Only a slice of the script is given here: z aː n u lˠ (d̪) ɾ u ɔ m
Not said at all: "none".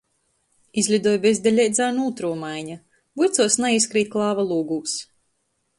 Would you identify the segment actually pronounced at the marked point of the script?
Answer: t̪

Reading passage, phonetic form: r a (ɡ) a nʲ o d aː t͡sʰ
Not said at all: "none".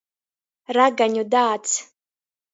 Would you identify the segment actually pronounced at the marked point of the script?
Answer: ɡ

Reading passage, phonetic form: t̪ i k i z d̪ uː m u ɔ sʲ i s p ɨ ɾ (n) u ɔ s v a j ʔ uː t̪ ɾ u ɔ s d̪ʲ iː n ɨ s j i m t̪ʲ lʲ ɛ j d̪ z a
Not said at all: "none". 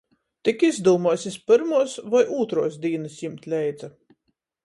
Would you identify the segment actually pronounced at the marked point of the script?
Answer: m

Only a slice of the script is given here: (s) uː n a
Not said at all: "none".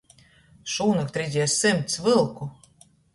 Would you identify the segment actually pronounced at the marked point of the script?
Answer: ʃ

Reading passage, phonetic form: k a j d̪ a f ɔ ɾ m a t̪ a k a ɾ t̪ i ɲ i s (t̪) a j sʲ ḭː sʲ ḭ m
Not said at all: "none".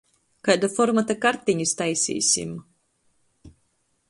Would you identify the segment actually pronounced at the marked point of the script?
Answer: t̪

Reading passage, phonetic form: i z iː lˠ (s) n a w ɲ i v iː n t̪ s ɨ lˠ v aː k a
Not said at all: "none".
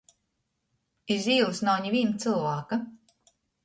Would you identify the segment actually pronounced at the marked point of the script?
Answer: s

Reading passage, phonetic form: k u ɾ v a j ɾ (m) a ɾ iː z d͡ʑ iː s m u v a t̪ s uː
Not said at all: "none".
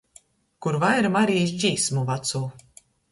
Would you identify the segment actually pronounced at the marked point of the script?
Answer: m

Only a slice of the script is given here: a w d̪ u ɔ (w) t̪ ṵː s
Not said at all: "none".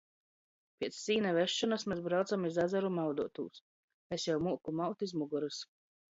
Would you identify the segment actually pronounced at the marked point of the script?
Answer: none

